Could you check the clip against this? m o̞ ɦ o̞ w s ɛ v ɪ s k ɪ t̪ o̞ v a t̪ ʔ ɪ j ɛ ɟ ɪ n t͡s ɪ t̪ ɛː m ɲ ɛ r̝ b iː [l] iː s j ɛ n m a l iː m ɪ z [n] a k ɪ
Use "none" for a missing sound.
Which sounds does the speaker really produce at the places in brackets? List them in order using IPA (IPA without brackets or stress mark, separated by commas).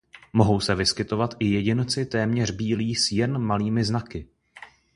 l, n